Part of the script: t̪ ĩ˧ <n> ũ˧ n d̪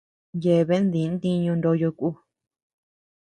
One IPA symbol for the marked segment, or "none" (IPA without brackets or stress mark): ɲ